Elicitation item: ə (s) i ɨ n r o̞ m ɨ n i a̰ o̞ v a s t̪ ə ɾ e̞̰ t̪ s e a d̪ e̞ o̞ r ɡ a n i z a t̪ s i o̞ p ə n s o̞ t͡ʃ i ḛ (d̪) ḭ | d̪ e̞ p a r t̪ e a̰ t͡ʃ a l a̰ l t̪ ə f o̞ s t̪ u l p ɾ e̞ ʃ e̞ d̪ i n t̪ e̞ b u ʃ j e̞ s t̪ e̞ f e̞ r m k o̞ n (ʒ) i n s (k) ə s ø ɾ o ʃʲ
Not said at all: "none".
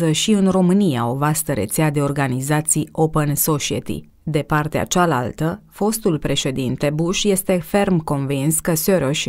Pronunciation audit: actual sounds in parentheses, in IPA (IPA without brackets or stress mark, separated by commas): ʃ, t̪, v, k